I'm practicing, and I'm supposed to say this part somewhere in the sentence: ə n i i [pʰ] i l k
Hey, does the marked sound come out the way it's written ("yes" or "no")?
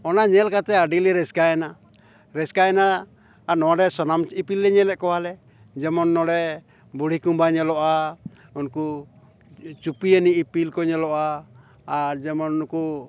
no